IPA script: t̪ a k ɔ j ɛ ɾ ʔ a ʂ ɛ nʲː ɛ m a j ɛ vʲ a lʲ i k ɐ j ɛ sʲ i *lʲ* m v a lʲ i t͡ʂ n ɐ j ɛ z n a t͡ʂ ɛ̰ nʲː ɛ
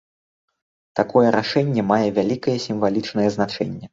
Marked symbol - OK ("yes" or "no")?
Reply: no